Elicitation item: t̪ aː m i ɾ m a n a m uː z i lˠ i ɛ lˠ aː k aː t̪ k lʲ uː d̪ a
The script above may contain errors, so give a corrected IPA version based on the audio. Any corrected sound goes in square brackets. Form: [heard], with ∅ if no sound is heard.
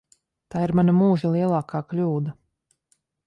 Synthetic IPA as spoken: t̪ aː [∅] i ɾ m a n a m uː [ʒ] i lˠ i ɛ lˠ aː k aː [∅] k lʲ uː d̪ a